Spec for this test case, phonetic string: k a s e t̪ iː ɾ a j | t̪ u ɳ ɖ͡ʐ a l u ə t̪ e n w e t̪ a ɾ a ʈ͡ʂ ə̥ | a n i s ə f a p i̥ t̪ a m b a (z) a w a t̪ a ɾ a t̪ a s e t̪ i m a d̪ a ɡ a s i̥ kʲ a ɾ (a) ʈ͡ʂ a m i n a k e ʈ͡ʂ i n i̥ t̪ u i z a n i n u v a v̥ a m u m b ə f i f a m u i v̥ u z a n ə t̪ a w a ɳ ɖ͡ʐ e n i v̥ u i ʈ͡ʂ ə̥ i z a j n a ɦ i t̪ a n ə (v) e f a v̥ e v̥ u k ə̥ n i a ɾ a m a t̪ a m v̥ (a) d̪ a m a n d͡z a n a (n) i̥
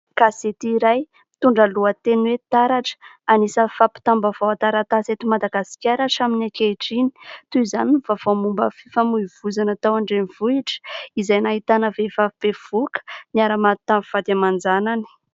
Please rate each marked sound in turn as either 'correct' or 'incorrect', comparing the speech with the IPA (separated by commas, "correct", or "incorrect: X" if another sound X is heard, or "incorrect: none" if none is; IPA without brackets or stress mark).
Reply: incorrect: v, correct, correct, correct, correct